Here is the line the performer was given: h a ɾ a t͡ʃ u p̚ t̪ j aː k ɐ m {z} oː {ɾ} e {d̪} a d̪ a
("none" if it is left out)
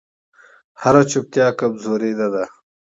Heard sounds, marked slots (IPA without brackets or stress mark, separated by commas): z, ɾ, d̪